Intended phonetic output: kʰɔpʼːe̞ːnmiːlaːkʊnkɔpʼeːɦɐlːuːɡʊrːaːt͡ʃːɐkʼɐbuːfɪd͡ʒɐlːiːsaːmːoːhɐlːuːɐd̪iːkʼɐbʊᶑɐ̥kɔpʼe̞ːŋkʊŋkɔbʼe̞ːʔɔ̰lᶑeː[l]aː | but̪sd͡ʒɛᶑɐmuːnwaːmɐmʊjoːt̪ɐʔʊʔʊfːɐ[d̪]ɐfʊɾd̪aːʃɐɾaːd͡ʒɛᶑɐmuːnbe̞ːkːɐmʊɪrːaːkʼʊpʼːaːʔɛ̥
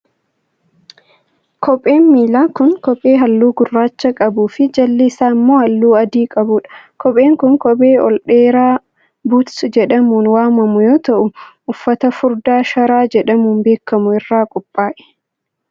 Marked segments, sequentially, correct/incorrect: incorrect, incorrect

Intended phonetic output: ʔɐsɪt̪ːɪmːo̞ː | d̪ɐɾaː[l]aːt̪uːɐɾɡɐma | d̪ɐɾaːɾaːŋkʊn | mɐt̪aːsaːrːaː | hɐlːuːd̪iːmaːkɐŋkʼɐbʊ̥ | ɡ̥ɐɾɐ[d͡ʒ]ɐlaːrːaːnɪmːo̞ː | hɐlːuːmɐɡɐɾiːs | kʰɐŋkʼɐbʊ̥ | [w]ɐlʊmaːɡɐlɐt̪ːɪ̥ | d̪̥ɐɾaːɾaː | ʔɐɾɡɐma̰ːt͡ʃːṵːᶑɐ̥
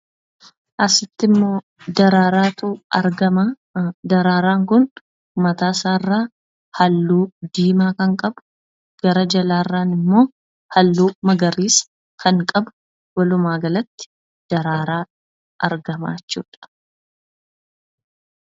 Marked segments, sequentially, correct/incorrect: incorrect, correct, correct

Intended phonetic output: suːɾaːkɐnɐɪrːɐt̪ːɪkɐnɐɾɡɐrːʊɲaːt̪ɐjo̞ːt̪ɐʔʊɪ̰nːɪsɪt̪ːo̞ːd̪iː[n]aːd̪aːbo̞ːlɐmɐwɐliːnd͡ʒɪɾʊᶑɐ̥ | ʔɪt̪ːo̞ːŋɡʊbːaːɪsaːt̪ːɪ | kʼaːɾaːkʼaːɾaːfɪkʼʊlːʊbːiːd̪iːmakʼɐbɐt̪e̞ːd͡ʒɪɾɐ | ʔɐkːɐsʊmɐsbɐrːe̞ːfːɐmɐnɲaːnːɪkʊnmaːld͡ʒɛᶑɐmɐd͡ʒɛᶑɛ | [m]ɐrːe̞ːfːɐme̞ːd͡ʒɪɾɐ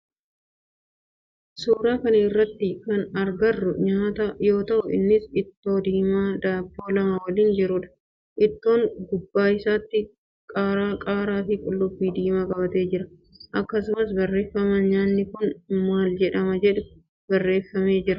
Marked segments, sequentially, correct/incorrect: incorrect, incorrect

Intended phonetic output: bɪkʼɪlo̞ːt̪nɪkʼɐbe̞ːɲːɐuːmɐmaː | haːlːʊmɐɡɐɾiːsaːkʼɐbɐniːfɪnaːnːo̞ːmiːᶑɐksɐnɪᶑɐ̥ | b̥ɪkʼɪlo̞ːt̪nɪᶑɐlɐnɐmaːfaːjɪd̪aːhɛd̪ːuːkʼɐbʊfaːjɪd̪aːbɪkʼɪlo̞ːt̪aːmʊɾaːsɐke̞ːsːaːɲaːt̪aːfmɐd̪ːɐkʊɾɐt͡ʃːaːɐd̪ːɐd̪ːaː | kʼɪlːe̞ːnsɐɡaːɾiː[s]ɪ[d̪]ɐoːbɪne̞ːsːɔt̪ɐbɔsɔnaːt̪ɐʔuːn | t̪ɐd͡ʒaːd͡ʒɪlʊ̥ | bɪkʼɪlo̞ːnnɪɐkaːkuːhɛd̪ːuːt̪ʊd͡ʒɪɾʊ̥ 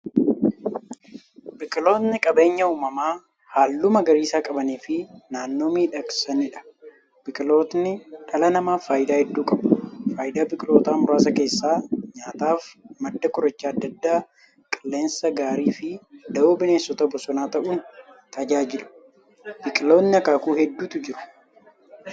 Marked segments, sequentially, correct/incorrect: incorrect, correct

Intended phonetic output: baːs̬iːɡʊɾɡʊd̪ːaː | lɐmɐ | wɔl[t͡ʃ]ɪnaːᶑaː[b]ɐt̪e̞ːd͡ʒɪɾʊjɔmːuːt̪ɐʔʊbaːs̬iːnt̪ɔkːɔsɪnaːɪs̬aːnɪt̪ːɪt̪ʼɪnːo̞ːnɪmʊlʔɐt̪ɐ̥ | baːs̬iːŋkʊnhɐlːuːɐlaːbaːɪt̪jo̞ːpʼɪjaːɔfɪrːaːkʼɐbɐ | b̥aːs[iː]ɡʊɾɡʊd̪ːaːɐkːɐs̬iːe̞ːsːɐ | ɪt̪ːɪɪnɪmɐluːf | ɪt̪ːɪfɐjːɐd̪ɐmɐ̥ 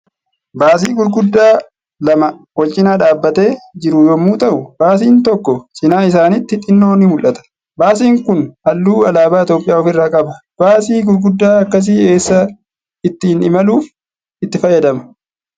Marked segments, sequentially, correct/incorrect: incorrect, incorrect, correct

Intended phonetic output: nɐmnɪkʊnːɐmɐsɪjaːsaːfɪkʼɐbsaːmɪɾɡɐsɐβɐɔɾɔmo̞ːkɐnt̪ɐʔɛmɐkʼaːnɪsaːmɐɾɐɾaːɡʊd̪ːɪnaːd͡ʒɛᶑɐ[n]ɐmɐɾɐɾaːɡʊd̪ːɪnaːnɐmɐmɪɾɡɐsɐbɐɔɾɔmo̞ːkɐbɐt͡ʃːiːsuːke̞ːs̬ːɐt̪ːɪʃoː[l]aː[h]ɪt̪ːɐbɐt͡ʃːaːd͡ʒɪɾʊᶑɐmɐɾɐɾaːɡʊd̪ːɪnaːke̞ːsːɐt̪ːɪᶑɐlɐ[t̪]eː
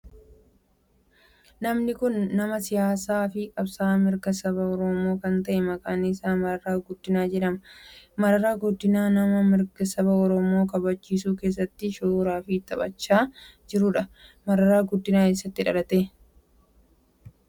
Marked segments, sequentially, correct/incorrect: incorrect, incorrect, incorrect, correct

